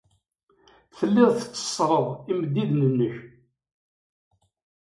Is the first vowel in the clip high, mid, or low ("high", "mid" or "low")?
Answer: mid